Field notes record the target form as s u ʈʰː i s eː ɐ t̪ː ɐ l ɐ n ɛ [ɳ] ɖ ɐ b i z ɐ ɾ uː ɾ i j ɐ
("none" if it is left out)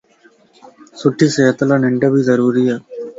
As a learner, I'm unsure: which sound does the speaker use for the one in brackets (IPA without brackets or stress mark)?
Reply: ɳ